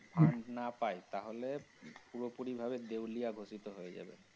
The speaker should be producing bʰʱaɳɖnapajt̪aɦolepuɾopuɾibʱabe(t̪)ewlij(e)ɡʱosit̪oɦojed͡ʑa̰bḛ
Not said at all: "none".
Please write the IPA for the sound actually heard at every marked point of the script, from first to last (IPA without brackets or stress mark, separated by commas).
d̪, a